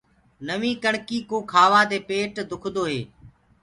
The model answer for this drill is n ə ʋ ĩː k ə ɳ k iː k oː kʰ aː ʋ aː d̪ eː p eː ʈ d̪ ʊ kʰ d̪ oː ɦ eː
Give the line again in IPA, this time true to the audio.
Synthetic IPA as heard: n ə ʋ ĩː k ə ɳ k iː k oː kʰ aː ʋ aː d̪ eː p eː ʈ d̪ ʊ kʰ d̪ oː ɦ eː